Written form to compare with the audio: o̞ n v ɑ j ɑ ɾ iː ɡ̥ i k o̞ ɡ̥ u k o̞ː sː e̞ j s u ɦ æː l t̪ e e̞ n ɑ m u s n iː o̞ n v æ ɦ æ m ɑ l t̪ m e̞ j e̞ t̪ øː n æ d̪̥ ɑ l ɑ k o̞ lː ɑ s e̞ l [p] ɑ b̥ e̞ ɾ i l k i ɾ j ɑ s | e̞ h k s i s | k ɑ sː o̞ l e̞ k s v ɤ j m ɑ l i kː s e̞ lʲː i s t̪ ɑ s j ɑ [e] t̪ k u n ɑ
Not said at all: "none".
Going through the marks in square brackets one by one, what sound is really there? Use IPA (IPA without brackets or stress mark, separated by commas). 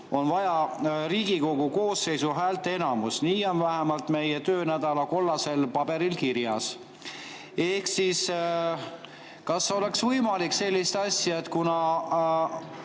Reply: p, e